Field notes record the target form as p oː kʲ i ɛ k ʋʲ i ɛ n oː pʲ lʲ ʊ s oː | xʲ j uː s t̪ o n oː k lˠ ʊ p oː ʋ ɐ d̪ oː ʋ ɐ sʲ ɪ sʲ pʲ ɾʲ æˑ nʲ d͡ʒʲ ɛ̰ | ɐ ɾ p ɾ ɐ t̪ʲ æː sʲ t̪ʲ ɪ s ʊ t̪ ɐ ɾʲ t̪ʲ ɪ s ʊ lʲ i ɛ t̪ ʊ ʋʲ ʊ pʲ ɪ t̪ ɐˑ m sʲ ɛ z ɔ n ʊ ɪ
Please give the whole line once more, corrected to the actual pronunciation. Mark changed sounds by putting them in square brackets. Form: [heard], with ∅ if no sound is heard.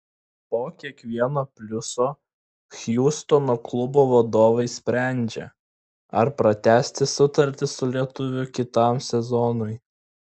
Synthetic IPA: p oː kʲ i ɛ k ʋʲ i ɛ n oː pʲ lʲ ʊ s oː | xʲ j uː s t̪ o n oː k lˠ ʊ [b] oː ʋ ɐ d̪ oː ʋ ɐ [∅] ɪ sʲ pʲ ɾʲ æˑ nʲ d͡ʒʲ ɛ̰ | ɐ ɾ p ɾ ɐ t̪ʲ æː sʲ t̪ʲ ɪ s ʊ t̪ ɐ ɾʲ t̪ʲ ɪ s ʊ lʲ i ɛ t̪ ʊ ʋʲ ʊ [kʲ] ɪ t̪ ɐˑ m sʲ ɛ z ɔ n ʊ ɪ